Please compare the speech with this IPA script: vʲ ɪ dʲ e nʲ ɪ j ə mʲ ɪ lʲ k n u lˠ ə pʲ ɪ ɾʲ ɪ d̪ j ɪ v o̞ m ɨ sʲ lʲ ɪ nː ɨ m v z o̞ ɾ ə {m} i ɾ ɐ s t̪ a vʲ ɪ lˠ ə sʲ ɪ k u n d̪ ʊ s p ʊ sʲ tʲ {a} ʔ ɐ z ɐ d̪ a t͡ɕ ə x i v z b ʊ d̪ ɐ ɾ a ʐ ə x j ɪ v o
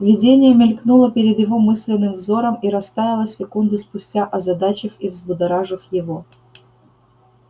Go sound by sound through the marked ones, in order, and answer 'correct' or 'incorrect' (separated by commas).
correct, correct